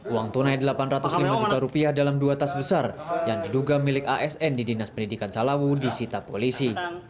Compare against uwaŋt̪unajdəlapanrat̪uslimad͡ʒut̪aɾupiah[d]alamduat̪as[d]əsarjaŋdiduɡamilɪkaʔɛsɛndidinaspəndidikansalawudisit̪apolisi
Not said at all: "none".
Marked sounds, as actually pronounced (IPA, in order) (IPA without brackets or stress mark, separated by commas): d, b